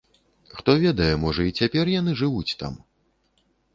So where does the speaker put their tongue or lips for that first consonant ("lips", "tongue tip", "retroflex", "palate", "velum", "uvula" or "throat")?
velum